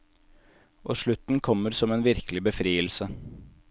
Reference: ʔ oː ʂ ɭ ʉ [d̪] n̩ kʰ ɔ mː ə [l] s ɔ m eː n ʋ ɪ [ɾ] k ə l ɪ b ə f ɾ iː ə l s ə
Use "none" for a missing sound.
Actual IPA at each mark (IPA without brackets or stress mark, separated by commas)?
t̪, ɾ, ɾ